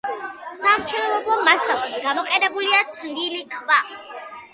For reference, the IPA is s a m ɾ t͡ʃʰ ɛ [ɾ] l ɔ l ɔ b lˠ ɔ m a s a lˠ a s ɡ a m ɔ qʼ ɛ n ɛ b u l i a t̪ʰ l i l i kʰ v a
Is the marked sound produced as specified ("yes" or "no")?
no